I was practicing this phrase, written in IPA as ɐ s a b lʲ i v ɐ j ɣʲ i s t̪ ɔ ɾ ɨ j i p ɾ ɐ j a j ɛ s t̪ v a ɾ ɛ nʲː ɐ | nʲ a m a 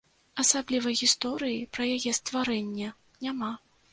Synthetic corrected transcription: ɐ s a b lʲ i v ɐ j ɣʲ i s t̪ ɔ ɾ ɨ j i p ɾ ɐ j a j ɛ s t̪ v a ɾ ɛ nʲː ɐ | nʲ a m a